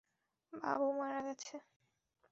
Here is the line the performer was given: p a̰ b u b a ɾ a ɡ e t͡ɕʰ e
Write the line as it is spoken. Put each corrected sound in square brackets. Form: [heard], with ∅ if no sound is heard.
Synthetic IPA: [b] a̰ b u [m] a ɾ a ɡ [ɛ] t͡ɕʰ e